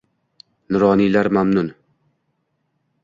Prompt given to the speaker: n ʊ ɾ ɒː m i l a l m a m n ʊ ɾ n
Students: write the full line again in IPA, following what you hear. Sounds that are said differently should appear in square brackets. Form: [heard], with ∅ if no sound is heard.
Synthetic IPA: n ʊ ɾ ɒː [n] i l a [ɾ] m a m n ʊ [∅] n